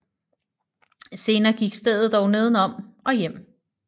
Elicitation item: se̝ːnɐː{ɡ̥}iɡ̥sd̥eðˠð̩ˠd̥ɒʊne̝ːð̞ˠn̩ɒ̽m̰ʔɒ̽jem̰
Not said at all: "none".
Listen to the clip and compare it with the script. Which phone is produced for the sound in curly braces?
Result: ɡ̥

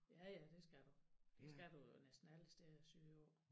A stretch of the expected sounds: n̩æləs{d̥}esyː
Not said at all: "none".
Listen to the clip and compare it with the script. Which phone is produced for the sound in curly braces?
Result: d̥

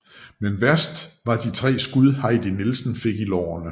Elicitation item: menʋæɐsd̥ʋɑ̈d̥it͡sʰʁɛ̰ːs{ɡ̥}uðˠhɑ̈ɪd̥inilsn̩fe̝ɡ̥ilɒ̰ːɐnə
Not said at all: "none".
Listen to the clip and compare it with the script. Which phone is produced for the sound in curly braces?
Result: ɡ̥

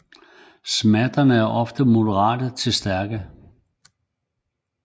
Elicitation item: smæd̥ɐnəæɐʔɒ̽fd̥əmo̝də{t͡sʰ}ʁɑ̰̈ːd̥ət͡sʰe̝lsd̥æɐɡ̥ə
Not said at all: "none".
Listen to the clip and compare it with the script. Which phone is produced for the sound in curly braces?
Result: none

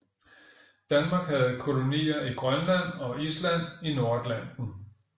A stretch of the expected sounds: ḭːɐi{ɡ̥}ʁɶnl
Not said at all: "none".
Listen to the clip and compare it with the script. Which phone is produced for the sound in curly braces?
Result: ɡ̥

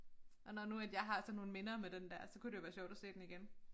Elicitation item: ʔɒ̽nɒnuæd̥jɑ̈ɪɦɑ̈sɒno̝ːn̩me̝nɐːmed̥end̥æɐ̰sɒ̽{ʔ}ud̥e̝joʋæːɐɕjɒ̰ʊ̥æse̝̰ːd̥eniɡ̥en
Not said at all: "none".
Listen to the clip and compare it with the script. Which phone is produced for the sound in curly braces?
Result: k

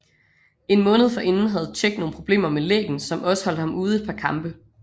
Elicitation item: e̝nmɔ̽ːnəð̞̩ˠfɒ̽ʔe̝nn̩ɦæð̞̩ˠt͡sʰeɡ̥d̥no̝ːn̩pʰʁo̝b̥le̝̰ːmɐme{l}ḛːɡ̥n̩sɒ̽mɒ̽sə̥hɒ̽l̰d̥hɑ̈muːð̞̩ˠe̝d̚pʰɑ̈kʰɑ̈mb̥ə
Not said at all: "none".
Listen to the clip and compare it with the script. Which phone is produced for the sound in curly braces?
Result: l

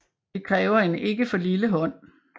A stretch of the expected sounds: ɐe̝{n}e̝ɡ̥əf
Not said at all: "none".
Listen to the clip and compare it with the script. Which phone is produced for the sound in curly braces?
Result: n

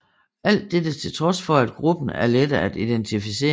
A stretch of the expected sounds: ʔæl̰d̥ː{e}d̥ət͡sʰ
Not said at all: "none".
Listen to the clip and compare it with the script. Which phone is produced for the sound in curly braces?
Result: e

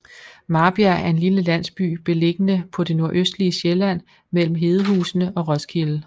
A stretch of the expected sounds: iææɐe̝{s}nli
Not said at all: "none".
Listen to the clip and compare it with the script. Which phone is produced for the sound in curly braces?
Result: none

